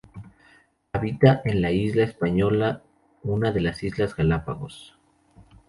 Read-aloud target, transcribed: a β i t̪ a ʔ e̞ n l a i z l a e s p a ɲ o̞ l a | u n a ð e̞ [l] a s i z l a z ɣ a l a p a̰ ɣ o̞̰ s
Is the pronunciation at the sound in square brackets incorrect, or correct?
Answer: correct